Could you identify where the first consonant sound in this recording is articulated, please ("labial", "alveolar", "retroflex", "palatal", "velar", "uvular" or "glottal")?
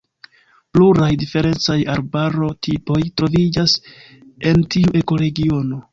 labial